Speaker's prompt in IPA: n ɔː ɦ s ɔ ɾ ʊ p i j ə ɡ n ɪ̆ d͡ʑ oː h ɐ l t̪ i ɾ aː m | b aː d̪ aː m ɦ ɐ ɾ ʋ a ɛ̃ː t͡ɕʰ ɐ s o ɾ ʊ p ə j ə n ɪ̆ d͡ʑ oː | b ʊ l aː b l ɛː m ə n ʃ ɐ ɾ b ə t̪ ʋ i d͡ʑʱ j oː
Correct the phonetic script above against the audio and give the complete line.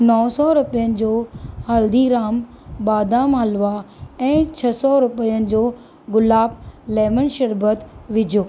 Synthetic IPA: n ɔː s ɔ ɾ ʊ p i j ə n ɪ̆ d͡ʑ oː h ɐ l d̪ i ɾ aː m | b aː d̪ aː m ɦ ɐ l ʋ a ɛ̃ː t͡ɕʰ ɐ s ɔ ɾ ʊ p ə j ə n ɪ̆ d͡ʑ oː | ɡ ʊ l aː b l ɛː m ə n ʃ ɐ ɾ b ə t̪ ʋ ɪ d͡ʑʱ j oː